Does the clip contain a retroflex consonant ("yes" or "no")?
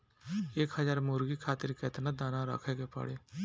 yes